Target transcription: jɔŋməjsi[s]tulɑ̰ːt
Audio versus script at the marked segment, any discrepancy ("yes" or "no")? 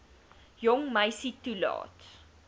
yes